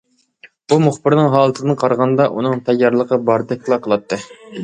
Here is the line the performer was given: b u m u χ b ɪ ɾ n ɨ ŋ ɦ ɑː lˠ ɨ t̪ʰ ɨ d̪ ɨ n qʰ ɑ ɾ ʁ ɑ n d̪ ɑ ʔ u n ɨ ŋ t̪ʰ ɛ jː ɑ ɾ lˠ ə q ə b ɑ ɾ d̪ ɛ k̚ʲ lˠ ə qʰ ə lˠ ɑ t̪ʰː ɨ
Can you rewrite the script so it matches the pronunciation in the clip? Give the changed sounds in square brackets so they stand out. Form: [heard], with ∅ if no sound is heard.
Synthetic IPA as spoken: b u m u χ b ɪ ɾ n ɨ ŋ ɦ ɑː lˠ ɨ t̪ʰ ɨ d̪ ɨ n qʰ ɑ ɾ ʁ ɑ n d̪ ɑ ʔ u n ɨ ŋ t̪ʰ ɛ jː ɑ ɾ lˠ ə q ə b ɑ ɾ d̪ ɛ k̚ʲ lˠ [ɑ] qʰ ə lˠ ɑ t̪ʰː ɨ

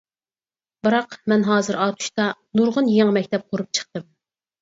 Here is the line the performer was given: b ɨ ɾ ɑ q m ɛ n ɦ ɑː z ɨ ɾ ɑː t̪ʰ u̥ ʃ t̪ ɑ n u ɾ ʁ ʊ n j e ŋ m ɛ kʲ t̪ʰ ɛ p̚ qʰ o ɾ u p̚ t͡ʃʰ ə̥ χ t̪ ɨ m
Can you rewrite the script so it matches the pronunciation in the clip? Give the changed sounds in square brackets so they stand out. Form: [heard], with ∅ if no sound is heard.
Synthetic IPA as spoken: b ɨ ɾ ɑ q m ɛ n ɦ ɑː z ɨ ɾ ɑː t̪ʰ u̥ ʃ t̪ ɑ n u ɾ ʁ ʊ n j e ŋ m ɛ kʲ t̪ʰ ɛ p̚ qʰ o ɾ u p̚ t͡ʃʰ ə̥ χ t̪ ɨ m

